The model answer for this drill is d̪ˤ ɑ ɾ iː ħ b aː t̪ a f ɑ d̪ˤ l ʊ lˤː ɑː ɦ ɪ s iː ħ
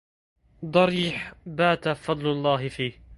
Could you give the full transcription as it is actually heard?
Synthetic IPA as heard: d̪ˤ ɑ ɾ iː ħ b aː t̪ a f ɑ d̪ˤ l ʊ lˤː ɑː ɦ ɪ f iː h